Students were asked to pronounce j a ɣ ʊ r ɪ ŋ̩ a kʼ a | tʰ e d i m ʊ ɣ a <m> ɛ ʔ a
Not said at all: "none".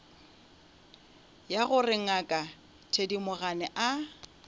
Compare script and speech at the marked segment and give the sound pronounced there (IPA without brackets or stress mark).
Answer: n